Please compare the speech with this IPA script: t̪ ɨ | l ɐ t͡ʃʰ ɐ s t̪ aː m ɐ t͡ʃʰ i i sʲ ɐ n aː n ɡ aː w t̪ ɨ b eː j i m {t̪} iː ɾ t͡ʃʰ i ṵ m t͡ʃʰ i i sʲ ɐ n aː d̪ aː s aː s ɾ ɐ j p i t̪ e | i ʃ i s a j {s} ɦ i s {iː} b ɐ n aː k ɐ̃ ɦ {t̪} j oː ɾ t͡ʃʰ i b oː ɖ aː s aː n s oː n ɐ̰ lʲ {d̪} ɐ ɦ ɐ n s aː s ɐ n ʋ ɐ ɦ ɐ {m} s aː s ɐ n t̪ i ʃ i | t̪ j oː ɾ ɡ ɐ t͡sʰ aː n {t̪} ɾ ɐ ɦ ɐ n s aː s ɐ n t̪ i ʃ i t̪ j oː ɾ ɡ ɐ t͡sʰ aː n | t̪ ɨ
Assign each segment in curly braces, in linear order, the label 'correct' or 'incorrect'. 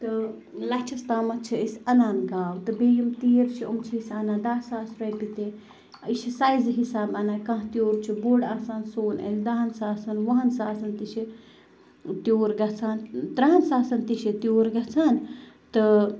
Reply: correct, incorrect: z, incorrect: aː, correct, correct, incorrect: n, correct

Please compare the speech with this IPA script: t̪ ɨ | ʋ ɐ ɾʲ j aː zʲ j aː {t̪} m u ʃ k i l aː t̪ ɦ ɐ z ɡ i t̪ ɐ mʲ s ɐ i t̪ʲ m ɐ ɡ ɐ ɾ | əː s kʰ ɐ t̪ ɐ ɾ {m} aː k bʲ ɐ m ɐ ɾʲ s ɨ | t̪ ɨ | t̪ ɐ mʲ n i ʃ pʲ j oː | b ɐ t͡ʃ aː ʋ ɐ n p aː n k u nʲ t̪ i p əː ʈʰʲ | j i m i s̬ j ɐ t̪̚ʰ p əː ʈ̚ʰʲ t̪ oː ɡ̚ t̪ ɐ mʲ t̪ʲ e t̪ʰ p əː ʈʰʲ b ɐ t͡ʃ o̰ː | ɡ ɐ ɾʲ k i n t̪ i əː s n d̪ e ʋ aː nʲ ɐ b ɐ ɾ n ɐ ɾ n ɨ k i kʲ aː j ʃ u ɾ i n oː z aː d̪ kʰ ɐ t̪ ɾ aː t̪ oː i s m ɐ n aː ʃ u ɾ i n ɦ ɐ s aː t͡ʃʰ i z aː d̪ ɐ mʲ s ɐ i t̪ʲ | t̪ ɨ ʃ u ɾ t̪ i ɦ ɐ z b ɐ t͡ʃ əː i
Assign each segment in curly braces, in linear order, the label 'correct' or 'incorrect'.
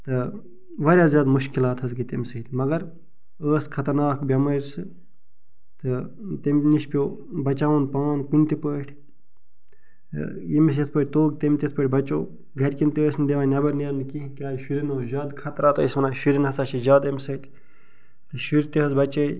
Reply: incorrect: d̪, incorrect: n

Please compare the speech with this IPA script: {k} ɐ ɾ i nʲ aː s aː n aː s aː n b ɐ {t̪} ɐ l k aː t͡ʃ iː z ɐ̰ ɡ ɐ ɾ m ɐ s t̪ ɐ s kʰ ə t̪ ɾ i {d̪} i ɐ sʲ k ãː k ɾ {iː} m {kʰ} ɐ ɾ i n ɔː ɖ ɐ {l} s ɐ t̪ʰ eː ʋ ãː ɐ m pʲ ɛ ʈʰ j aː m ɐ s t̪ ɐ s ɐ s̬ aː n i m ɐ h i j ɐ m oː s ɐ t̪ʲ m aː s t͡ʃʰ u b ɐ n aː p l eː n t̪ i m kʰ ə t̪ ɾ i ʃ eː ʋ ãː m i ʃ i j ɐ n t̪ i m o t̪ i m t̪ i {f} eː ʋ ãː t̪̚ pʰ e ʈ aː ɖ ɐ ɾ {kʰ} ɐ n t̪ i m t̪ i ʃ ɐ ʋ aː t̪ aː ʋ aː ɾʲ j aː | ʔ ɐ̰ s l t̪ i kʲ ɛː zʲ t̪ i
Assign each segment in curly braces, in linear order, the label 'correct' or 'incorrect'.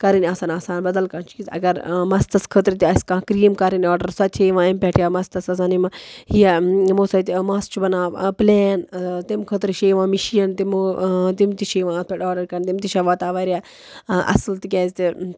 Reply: correct, incorrect: d̪, incorrect: t̪, correct, incorrect: k, incorrect: ɾ, incorrect: ʃ, incorrect: k

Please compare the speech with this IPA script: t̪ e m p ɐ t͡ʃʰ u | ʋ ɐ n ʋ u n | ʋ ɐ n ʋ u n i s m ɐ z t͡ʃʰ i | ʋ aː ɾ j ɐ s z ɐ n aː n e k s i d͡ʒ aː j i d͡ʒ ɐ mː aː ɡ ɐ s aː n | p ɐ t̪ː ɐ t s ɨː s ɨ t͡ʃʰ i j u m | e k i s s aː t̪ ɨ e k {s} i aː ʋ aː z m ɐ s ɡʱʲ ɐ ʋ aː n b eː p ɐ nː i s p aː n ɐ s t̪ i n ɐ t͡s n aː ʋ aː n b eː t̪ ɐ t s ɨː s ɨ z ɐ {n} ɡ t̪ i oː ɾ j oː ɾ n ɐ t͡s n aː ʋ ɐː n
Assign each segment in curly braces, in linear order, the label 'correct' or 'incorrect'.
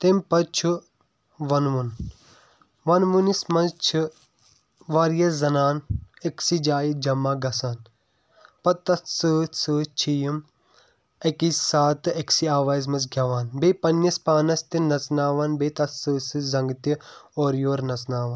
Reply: correct, incorrect: ŋ

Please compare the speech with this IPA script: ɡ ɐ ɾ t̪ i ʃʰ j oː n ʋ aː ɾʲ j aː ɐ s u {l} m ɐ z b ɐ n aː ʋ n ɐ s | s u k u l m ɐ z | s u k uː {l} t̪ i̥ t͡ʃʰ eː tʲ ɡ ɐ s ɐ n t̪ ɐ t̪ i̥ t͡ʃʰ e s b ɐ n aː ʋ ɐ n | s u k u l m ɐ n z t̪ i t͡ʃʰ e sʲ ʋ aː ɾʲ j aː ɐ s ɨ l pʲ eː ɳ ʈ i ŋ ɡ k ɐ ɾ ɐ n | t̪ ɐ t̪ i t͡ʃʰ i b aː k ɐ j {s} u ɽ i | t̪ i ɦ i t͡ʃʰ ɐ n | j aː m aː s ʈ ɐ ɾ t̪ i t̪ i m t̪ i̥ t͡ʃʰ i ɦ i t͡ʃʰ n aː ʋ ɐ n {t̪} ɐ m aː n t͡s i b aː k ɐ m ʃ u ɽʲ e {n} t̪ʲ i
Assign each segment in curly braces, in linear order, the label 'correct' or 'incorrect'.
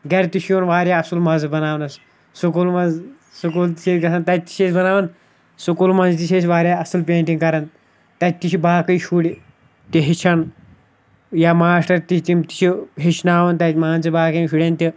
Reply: correct, correct, incorrect: ʃ, correct, correct

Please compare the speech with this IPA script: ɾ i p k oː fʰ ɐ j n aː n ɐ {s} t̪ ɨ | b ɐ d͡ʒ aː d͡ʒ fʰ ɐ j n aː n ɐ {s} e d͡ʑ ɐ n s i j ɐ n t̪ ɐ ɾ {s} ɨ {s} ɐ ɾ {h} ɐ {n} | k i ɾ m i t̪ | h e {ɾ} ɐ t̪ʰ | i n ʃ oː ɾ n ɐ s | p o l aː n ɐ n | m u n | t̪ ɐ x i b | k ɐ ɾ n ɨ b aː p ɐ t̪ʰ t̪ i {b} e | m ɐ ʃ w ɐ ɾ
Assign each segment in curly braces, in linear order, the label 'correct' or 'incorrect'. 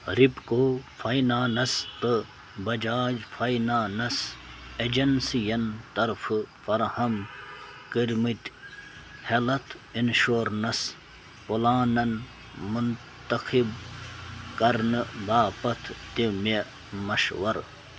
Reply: correct, correct, incorrect: f, incorrect: f, correct, incorrect: m, incorrect: l, incorrect: m

